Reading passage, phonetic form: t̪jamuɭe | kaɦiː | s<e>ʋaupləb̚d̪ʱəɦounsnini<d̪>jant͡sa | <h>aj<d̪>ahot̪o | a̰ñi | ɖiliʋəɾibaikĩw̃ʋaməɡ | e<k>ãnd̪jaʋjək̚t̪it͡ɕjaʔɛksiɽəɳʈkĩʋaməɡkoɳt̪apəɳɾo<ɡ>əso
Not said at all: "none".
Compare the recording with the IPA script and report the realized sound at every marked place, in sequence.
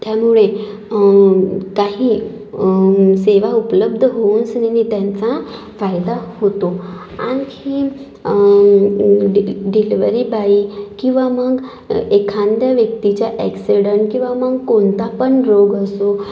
e, t̪, f, d̪, kʰ, ɡ

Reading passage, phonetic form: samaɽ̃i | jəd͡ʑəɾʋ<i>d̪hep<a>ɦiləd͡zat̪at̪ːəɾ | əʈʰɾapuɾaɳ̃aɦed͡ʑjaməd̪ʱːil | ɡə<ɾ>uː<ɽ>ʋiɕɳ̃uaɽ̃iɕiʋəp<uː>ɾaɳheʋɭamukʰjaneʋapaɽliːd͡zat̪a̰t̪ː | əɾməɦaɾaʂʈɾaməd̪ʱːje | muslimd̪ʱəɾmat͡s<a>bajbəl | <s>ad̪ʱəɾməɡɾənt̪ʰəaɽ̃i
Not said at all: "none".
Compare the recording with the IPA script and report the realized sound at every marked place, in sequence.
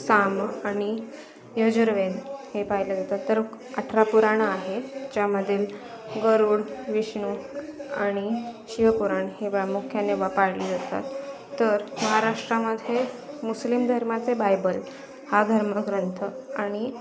e, a, ɾ, ɽ, u, e, h

